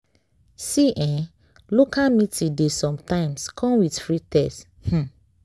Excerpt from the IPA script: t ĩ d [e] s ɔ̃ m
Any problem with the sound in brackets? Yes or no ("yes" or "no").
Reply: no